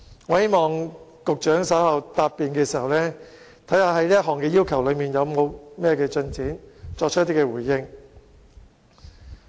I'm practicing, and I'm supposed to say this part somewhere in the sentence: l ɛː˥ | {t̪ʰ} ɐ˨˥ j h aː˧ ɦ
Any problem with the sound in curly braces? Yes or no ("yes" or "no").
no